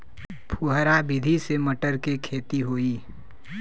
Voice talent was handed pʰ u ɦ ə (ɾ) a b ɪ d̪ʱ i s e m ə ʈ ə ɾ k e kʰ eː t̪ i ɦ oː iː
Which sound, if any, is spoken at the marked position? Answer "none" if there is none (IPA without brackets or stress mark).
ɾ